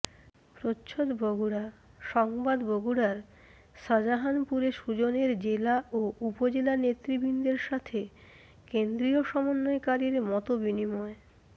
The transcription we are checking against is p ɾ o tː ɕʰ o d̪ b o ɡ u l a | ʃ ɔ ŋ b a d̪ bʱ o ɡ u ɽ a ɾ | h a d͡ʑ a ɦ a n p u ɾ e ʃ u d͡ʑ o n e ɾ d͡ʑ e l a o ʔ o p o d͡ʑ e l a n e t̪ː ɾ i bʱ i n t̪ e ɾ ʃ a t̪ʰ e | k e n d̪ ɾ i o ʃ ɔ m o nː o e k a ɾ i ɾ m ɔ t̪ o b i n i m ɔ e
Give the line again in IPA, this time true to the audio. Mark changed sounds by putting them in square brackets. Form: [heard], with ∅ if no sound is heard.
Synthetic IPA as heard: p ɾ o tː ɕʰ o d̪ b o ɡ u [ɽ] a | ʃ ɔ ŋ b a d̪ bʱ o ɡ u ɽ a ɾ | [ʃ] a d͡ʑ a ɦ a n p u ɾ e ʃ u d͡ʑ o n e ɾ d͡ʑ e l a o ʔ [u] p o d͡ʑ e l a n e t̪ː ɾ i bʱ i n [d̪] e ɾ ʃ a t̪ʰ e | k e n d̪ ɾ i o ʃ ɔ m o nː o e k a ɾ i ɾ m ɔ t̪ o b i n i m ɔ e